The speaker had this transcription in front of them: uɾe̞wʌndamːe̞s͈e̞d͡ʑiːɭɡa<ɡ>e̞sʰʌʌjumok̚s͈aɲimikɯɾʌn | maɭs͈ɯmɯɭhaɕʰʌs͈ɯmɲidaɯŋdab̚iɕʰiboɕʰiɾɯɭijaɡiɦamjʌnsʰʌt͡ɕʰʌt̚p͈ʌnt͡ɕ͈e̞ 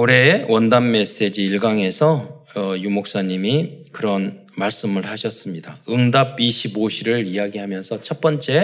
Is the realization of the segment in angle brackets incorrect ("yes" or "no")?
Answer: yes